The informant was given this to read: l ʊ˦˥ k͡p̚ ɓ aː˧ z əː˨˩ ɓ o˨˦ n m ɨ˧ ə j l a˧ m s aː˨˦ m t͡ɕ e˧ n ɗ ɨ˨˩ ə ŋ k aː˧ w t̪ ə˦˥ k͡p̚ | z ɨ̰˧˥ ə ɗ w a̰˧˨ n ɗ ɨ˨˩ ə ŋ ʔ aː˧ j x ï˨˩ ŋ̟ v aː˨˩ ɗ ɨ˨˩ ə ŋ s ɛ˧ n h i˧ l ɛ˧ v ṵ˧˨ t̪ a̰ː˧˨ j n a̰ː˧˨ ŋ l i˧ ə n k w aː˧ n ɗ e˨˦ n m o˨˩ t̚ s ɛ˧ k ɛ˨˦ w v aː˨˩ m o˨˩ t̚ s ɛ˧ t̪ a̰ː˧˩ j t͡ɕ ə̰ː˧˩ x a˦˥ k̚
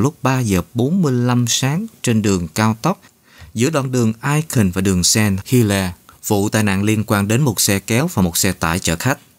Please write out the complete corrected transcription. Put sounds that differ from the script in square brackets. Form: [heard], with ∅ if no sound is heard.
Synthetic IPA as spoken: l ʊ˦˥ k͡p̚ ɓ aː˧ z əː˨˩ ɓ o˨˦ n m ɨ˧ ə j l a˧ m s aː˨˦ [ŋ] t͡ɕ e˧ n ɗ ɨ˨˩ ə ŋ k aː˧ w t̪ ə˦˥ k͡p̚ | z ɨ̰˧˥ ə ɗ w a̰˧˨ n ɗ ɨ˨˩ ə ŋ ʔ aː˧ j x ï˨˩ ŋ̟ v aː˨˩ ɗ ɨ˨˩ ə ŋ s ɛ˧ n h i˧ l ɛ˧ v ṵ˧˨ t̪ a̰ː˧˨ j n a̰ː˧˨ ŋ l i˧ ə n k w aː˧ n ɗ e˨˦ n m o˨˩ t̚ s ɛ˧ k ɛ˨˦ w v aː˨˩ m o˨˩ t̚ s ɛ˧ t̪ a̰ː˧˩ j t͡ɕ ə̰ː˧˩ x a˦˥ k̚